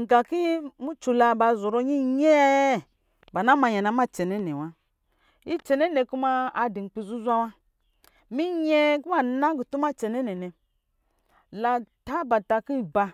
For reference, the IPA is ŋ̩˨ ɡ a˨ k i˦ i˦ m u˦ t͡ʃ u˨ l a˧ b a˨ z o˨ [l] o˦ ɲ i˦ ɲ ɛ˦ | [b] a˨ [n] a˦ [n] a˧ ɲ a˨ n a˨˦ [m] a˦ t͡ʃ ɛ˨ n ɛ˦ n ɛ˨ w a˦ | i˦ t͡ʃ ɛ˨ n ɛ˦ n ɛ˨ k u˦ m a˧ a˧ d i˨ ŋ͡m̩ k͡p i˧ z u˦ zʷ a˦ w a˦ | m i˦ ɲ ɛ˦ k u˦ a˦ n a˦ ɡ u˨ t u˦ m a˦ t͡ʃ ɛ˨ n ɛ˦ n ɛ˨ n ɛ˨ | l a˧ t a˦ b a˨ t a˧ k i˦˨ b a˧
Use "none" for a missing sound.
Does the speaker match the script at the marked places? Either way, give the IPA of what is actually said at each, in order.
ɾ, b, n, m, m

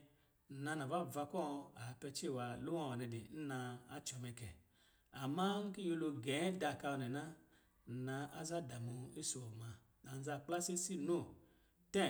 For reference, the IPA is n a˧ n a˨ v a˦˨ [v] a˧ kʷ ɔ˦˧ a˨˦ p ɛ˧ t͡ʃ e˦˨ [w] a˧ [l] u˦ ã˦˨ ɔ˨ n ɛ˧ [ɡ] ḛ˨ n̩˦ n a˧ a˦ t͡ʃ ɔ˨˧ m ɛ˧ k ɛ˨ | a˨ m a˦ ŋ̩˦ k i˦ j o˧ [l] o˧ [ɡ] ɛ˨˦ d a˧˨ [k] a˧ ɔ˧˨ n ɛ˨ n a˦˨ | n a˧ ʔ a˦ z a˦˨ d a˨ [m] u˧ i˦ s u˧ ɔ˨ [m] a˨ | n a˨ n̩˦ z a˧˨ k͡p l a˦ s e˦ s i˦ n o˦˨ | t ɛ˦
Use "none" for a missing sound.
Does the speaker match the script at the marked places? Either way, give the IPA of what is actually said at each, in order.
v, w, l, d, l, ɡ, k, m, m

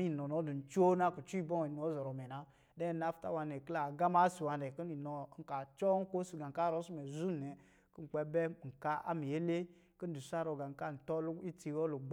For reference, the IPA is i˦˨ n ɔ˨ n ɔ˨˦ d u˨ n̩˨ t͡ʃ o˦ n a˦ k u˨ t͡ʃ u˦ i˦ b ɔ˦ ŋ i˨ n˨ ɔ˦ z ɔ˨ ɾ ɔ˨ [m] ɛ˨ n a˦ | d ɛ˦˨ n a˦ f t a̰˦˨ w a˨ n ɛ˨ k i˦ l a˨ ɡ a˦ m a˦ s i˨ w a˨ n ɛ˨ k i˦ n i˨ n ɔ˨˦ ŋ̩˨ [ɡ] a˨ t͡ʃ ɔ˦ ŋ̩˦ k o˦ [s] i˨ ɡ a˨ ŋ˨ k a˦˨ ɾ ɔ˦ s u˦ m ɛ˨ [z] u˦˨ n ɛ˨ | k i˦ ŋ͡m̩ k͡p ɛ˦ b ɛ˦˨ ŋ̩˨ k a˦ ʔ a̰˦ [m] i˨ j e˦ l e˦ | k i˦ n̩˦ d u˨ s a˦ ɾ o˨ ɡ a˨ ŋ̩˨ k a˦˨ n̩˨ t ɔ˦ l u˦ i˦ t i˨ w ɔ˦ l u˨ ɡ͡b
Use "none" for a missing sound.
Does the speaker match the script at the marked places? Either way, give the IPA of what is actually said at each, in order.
m, k, s, z, m

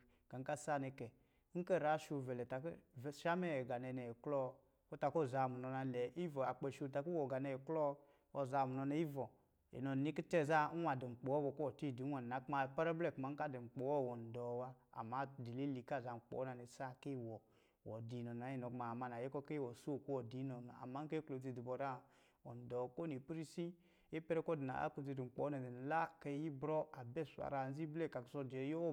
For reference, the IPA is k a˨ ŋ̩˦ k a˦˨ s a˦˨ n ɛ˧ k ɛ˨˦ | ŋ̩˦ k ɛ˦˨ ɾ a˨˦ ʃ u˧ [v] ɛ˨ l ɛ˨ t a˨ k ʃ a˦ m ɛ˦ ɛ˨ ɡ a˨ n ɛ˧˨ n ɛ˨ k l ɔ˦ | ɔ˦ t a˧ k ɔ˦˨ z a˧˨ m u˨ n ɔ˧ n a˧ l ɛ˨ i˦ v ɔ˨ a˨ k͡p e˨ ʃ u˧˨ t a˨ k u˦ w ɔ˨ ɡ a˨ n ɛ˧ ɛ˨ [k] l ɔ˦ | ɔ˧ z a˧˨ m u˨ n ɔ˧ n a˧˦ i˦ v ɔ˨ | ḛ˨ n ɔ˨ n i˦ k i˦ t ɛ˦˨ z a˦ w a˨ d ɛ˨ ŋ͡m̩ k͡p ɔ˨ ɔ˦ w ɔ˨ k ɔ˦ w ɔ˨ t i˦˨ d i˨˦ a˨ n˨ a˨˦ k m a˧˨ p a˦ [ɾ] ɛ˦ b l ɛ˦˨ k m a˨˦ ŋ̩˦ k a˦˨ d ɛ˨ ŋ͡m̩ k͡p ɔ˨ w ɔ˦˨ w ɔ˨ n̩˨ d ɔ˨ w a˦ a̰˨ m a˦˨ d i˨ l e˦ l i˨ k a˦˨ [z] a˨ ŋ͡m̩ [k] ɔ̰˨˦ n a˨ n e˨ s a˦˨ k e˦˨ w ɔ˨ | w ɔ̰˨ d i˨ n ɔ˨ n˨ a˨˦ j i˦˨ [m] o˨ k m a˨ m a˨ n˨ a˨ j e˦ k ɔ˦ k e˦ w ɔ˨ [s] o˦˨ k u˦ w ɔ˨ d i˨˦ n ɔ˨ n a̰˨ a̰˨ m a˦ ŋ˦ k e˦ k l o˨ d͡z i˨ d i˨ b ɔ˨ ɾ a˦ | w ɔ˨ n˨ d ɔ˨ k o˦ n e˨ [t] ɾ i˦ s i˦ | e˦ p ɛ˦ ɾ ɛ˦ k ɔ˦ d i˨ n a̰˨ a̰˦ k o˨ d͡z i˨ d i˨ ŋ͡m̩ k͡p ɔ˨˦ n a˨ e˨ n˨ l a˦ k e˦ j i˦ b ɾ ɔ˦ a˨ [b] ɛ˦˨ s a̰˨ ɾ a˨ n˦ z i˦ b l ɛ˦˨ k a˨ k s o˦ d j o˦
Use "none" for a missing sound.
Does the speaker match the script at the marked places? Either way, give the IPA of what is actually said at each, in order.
v, k, ɾ, z, k͡p, n, s, p, b

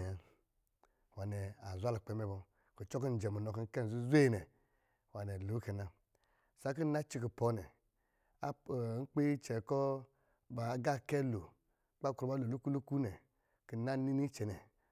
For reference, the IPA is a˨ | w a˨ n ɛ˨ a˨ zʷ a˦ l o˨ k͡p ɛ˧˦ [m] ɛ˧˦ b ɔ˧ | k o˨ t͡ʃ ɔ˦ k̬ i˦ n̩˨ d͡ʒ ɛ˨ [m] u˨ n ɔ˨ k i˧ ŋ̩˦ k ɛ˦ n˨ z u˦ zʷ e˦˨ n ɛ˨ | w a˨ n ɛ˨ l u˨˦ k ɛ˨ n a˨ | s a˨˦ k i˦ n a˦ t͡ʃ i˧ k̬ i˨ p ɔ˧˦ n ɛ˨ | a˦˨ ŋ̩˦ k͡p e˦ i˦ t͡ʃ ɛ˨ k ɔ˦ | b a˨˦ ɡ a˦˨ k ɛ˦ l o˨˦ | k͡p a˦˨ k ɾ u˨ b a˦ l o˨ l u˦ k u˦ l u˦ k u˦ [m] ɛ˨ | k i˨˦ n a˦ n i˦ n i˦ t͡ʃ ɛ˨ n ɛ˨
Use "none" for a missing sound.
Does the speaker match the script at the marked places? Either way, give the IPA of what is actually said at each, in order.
m, m, n

